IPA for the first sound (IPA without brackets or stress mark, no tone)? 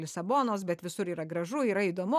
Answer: lʲ